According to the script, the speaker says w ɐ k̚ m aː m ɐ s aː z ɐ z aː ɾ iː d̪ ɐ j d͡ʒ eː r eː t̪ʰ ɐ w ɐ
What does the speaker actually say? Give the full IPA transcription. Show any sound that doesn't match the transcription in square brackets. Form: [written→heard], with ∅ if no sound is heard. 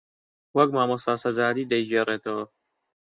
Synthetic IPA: w ɐ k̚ m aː m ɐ s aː [z→s] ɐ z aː ɾ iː d̪ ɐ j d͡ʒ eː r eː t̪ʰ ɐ w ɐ

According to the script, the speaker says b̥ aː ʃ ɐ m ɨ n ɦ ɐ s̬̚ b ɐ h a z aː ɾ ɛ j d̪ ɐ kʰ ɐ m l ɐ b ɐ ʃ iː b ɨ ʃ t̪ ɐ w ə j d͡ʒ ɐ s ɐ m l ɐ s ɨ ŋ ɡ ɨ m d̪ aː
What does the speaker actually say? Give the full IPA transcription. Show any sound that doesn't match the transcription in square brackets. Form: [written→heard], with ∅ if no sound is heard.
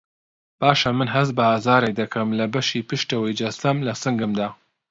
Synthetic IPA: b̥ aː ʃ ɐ m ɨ n ɦ ɐ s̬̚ b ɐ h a z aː ɾ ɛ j d̪ ɐ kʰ ɐ m l ɐ b ɐ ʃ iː [b→p] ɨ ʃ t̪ ɐ w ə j d͡ʒ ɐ s ɐ m l ɐ s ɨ ŋ ɡ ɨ m d̪ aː

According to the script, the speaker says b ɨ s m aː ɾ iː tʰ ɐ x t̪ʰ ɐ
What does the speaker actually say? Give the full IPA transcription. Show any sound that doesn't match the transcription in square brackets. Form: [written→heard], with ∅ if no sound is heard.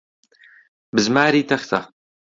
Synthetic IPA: b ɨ [s→z] m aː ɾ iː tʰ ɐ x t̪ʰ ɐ

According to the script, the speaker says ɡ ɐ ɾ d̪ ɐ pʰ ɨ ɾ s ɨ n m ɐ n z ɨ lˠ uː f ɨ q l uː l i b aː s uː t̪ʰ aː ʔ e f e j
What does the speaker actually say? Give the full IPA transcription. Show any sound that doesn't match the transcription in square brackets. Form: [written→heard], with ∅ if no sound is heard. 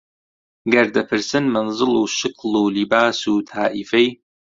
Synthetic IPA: ɡ ɐ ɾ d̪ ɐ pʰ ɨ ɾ s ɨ n m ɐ n z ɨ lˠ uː [f→ʃ] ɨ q l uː l i b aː s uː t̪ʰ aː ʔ [e→i] f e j

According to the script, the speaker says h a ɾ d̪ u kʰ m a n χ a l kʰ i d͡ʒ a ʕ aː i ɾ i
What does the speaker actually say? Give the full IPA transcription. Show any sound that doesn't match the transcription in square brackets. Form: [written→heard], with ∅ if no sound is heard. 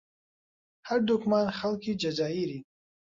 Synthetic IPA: h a ɾ d̪ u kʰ m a n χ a l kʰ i d͡ʒ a [ʕ→z] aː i ɾ i

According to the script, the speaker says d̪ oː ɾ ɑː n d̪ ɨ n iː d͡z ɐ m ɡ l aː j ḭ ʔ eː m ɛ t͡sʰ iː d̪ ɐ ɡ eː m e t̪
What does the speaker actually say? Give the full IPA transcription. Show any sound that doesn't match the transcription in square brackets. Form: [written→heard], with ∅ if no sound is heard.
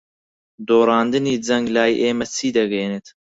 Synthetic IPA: d̪ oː ɾ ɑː n d̪ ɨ n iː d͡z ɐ [m→ŋ] ɡ l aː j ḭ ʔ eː m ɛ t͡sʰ iː d̪ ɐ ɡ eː [m→n] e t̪

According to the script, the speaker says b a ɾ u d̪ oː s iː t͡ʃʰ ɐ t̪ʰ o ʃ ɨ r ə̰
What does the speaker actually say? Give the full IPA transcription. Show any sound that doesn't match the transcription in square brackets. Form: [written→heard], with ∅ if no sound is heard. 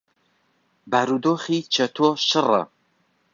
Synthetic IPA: b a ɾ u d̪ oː [s→χ] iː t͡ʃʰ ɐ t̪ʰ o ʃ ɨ r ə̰

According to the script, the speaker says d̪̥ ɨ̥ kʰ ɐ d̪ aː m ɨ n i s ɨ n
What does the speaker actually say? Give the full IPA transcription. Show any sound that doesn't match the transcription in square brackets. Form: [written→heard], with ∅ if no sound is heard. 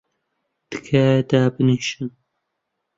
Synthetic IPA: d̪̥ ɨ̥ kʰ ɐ d̪ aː [m→b] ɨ n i [s→ʃ] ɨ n

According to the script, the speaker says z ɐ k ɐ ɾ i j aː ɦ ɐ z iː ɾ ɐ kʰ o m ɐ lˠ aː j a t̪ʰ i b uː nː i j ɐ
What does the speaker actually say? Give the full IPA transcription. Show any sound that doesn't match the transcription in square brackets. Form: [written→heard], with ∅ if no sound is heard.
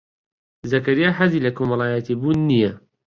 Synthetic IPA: z ɐ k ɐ ɾ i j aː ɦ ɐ z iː [ɾ→l] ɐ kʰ o m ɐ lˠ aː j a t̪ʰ i b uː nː i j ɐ

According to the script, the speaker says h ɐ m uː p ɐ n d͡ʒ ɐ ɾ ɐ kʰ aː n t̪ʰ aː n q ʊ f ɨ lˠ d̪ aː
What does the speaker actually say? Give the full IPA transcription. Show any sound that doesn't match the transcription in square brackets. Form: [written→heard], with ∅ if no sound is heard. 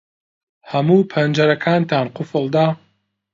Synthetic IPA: h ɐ m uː [p→pʰ] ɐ n d͡ʒ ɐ ɾ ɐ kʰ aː n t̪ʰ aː n q ʊ f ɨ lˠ d̪ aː

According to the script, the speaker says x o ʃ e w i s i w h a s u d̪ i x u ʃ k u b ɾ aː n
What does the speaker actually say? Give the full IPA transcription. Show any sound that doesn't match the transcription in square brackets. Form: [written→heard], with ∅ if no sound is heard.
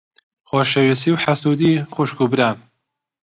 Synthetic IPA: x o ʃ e w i s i w [h→ħ] a s u d̪ i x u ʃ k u b ɾ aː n

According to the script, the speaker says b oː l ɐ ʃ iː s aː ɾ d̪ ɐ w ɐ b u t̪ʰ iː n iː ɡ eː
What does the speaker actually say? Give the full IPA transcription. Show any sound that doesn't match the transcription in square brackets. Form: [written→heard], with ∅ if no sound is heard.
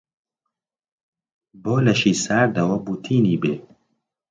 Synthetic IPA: b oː l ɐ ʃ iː s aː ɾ d̪ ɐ w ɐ b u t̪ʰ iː n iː [ɡ→b] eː

